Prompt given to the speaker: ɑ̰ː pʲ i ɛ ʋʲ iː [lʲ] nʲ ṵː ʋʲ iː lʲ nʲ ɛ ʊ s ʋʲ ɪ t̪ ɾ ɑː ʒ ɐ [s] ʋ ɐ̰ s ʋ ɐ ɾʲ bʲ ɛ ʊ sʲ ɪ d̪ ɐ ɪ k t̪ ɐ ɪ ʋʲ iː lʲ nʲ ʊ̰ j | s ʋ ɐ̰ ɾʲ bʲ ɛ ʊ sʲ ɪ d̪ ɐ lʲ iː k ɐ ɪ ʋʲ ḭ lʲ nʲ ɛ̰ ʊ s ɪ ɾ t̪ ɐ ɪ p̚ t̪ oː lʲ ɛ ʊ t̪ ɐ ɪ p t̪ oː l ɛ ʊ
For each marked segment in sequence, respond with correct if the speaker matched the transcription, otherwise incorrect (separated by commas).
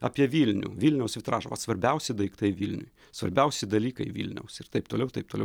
correct, incorrect